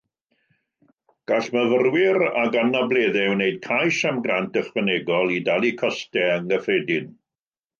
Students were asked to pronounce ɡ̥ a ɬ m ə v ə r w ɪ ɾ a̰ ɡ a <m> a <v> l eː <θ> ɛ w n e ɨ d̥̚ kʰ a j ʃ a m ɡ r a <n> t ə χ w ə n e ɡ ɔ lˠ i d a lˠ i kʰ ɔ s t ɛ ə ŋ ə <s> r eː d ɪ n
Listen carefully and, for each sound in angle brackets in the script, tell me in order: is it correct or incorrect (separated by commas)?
incorrect, incorrect, incorrect, correct, incorrect